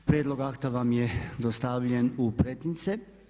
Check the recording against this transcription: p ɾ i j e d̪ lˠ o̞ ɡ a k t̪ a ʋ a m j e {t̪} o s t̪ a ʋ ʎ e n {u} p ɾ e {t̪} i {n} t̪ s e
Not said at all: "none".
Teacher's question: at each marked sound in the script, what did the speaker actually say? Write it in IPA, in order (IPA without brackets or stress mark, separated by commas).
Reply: d̪, u, t̪, n